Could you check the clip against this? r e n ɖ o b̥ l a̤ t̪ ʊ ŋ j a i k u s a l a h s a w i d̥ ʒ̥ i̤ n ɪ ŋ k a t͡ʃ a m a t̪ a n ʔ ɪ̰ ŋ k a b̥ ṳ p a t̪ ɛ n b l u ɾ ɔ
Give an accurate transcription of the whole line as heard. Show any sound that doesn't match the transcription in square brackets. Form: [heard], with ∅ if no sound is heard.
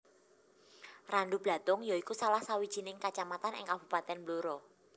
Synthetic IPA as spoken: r [a] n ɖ [u] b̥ l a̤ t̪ ʊ ŋ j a i k u s a l a h s a w i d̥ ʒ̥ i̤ n ɪ ŋ k a t͡ʃ a m a t̪ a n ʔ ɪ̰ ŋ k a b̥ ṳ p a t̪ ɛ n b l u ɾ ɔ